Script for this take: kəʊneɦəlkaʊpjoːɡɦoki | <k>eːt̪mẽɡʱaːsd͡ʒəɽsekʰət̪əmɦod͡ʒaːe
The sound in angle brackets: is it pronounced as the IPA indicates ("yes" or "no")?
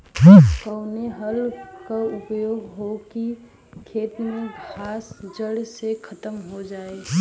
no